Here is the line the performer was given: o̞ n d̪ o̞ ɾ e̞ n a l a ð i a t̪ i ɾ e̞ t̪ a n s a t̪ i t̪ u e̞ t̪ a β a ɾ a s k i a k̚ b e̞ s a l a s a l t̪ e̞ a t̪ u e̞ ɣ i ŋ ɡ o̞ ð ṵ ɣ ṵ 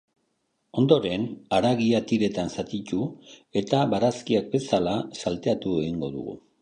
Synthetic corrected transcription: o̞ n d̪ o̞ ɾ e̞ n a ɾ a ɣ i a t̪ i ɾ e̞ t̪ a n s a t̪ i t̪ u e̞ t̪ a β a ɾ a s k i a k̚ b e̞ s a l a s a l t̪ e̞ a t̪ u e̞ ɣ i ŋ ɡ o̞ ð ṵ ɣ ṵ